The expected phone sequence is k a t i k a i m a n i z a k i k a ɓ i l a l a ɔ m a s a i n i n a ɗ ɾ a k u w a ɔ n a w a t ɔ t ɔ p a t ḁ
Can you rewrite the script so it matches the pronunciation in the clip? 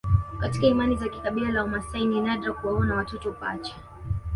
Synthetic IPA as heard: k a t i k a i m a n i z a k i k a ɓ i l a l a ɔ m a s a i n i n a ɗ ɾ a k u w a ɔ n a w a t ɔ t ɔ p a t͡ʃ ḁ